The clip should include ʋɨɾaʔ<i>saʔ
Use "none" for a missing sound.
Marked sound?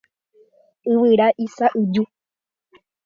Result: i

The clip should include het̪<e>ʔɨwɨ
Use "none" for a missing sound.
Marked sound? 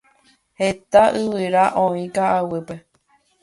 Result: a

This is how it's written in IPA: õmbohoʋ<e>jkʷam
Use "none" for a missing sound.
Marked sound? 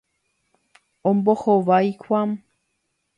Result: a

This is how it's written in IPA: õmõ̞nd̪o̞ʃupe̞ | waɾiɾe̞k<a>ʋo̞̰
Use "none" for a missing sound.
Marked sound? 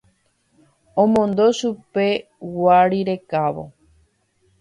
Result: a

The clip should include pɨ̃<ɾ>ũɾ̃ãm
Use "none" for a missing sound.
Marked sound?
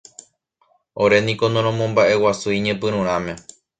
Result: ɾ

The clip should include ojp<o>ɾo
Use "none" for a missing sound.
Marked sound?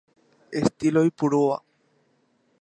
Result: u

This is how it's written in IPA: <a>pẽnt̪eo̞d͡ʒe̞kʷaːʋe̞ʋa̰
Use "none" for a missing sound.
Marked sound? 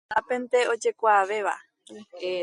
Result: a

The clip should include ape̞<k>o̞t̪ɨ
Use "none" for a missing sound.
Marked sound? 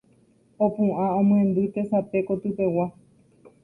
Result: k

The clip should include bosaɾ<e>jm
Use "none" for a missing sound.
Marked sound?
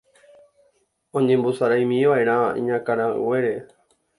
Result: a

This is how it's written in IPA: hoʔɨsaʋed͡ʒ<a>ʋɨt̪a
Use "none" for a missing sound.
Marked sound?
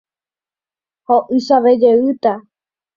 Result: e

